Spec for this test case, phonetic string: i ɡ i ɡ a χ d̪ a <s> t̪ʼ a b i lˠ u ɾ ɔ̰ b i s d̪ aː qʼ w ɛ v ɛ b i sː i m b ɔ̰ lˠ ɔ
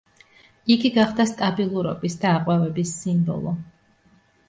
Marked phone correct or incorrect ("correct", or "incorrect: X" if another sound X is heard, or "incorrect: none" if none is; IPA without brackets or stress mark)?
correct